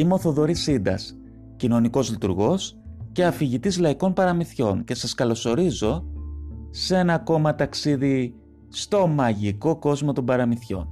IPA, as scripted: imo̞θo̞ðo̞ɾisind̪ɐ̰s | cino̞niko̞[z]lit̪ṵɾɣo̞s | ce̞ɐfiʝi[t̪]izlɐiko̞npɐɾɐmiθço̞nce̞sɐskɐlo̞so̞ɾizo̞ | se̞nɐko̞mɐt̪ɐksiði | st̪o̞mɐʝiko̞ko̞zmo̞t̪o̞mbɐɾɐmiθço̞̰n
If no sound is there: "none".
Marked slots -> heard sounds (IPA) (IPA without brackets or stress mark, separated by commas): z, t̪